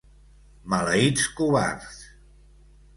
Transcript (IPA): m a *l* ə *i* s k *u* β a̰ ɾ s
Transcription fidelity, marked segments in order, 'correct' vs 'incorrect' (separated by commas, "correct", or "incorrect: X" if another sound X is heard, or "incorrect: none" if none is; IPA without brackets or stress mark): correct, correct, correct